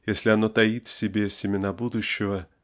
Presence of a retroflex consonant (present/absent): absent